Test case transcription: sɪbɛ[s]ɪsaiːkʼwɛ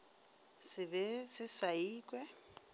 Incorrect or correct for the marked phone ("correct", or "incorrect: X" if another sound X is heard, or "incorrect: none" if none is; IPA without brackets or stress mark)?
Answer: correct